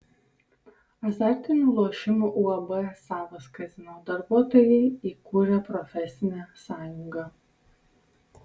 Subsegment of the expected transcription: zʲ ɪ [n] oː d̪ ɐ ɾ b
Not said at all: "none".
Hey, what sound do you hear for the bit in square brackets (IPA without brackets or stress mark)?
n